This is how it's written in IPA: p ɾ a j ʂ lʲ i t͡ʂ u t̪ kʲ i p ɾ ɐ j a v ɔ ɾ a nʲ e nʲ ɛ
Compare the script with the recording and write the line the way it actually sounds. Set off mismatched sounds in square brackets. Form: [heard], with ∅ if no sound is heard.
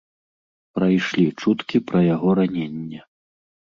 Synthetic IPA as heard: p ɾ a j ʂ lʲ i t͡ʂ u t̪ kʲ i p ɾ ɐ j a [ɣ] ɔ ɾ a nʲ e [nʲː] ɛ